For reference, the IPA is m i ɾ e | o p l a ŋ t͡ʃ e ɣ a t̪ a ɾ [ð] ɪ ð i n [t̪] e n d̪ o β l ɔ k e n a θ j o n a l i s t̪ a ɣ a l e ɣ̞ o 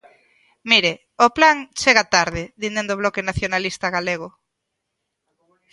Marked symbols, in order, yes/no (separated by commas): yes, no